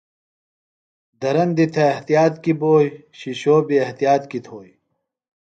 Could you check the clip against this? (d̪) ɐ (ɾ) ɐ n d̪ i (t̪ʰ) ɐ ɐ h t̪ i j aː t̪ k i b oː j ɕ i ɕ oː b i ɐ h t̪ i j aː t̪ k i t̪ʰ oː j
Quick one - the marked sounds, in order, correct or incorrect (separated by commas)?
correct, correct, correct